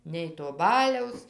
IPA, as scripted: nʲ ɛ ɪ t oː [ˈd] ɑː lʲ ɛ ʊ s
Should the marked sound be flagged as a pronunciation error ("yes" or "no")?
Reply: yes